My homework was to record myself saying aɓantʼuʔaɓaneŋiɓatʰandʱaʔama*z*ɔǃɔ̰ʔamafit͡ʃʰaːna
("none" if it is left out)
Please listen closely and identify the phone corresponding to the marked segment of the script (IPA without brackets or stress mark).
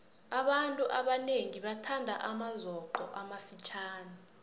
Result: z